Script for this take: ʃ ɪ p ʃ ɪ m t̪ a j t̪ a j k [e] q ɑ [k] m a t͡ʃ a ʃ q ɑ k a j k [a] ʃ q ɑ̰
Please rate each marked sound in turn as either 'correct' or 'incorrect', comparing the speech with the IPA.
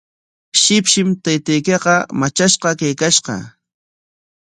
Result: correct, incorrect, correct

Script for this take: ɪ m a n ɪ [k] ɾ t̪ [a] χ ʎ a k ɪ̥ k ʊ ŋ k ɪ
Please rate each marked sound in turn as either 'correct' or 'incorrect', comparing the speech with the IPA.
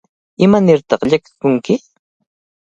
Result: incorrect, incorrect

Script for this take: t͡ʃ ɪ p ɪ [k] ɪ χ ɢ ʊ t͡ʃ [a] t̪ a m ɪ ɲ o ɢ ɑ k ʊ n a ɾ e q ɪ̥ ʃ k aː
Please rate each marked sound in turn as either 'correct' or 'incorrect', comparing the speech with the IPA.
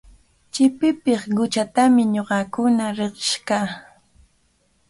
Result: incorrect, correct

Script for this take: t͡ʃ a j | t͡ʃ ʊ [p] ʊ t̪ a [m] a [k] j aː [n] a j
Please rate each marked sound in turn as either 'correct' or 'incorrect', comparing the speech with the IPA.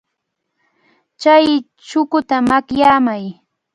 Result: incorrect, correct, correct, incorrect

